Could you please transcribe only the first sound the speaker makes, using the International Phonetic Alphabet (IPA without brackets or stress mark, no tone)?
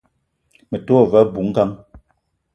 m